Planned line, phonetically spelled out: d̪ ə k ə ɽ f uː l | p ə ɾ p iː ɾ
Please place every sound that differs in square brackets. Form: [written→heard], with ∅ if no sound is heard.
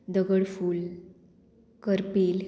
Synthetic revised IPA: d̪ ə [k→ɡ] ə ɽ f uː l | [p→k] ə ɾ p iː [ɾ→l]